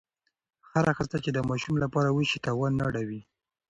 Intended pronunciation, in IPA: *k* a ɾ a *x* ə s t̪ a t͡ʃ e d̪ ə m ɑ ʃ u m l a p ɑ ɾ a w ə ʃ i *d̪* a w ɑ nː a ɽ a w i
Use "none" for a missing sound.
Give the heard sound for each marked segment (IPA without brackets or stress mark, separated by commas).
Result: x, x, t̪